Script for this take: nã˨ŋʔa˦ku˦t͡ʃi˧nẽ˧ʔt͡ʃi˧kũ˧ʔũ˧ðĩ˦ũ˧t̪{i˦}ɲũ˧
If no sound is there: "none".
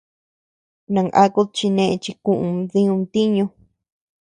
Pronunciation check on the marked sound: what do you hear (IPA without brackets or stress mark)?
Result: i˦